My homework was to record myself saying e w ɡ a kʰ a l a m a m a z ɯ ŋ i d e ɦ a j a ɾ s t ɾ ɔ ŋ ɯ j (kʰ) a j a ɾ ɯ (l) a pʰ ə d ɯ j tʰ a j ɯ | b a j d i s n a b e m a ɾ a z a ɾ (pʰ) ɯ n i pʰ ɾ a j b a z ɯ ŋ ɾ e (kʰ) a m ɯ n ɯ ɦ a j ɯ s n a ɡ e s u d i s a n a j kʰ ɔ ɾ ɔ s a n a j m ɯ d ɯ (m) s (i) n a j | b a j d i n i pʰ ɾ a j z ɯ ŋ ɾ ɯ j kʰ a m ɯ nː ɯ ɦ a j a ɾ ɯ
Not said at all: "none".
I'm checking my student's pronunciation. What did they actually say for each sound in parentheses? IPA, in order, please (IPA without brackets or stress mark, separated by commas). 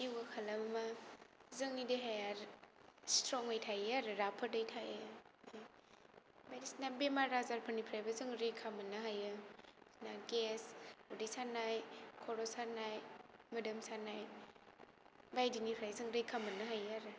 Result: tʰ, ɾ, pʰ, kʰ, m, a